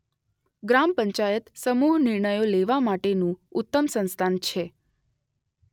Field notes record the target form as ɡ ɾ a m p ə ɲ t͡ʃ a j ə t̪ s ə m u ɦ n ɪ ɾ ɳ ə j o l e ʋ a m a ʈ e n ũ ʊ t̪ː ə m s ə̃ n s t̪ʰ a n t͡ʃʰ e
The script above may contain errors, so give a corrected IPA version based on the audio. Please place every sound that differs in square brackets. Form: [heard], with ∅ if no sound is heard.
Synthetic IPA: ɡ ɾ a m p ə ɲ t͡ʃ a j ə t̪ s ə m u ɦ n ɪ ɾ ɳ ə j o l e ʋ a m a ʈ e n ũ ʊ t̪ː ə m s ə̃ n s t̪ʰ a n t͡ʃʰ e